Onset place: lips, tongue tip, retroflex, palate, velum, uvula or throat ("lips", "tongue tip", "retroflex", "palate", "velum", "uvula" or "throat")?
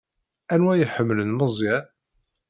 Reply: tongue tip